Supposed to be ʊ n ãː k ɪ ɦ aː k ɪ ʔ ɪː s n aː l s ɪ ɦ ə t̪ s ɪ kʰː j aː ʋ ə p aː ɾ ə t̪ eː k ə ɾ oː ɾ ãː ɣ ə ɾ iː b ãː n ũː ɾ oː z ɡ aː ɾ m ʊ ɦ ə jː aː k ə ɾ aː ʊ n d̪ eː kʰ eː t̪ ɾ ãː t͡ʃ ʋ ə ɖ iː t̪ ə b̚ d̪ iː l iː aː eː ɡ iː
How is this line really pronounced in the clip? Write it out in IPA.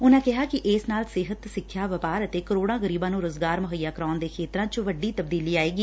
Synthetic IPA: ʊ n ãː k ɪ ɦ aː k ɪ ʔ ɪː s n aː l s ɪ ɦ ə t̪ s ɪ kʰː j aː ʋ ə p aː ɾ ə t̪ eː k ə ɾ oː ɽ ãː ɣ ə ɾ iː b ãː n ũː ɾ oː z ɡ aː ɾ m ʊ ɦ ə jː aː k ə ɾ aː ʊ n d̪ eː kʰ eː t̪ ɾ ãː t͡ʃ ʋ ə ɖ iː t̪ ə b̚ d̪ iː l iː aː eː ɡ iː